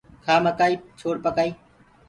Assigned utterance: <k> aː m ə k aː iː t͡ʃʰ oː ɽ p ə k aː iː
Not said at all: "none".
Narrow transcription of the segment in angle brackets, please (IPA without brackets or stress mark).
kʰ